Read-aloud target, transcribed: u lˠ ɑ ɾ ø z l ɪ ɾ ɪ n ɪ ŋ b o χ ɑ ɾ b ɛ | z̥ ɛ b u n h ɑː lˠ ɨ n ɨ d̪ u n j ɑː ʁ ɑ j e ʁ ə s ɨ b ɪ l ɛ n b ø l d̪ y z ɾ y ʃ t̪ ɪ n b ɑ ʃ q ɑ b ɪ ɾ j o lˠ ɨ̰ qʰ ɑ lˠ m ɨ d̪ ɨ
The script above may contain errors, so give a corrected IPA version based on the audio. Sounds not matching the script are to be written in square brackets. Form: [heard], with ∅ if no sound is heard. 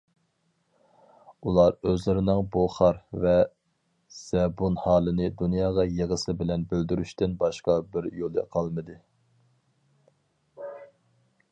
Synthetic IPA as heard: u lˠ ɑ ɾ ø z l ɪ ɾ ɪ n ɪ ŋ b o χ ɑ ɾ [v] ɛ | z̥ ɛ b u n h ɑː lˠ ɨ n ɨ d̪ u n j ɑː ʁ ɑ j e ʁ ə s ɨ b ɪ l ɛ n b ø l d̪ y [∅] ɾ y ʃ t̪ ɪ n b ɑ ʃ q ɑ b ɪ ɾ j o lˠ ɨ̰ qʰ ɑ lˠ m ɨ d̪ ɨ

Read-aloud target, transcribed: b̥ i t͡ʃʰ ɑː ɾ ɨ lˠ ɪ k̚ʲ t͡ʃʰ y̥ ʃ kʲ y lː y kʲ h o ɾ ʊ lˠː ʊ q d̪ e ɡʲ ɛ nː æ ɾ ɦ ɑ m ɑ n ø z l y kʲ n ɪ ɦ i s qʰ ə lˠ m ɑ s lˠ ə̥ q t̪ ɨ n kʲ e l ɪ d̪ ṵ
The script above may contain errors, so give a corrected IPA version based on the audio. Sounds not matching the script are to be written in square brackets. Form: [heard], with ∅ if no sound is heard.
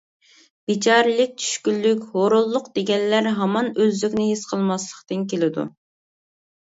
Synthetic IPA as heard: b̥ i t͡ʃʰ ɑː ɾ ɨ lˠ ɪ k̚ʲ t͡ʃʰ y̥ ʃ kʲ y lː y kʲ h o ɾ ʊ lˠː ʊ q d̪ e ɡʲ ɛ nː æ ɾ ɦ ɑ m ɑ n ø z l y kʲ n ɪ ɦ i s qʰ ə lˠ m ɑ s lˠ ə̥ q t̪ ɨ n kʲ e l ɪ d̪ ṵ

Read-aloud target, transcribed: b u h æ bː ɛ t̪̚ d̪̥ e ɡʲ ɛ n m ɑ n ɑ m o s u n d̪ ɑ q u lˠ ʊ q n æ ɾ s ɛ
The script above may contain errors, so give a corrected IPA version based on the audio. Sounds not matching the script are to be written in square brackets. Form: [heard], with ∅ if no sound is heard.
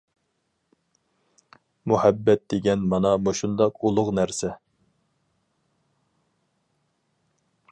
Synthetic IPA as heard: [m] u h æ bː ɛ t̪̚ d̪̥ e ɡʲ ɛ n m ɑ n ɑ m o [ʃ] u n d̪ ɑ q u lˠ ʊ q n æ ɾ s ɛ

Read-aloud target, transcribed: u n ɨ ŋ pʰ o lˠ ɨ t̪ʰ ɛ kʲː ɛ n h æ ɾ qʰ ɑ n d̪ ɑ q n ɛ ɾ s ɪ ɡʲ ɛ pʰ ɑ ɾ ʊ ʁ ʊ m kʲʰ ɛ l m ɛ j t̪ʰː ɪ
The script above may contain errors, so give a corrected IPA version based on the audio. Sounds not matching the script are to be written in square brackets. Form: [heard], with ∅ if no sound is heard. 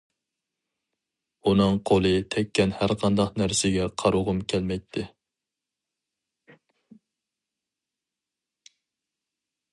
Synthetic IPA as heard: u n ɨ ŋ [qʰ] o lˠ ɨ t̪ʰ ɛ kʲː ɛ n h æ ɾ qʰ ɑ n d̪ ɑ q n [æ] ɾ s ɪ ɡʲ ɛ [qʰ] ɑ ɾ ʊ ʁ ʊ m kʲʰ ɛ l m ɛ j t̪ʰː ɪ

